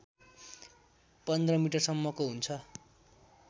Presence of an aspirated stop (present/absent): present